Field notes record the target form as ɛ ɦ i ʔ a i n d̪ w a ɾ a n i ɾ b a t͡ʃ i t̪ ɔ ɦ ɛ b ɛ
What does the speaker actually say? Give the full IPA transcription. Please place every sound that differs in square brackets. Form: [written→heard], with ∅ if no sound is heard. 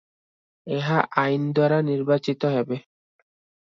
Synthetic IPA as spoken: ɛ ɦ [i→a] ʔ a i n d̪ w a ɾ a n i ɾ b a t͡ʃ i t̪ ɔ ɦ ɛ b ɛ